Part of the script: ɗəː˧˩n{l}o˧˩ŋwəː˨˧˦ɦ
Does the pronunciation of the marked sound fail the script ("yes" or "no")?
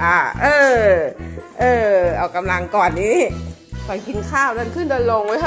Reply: no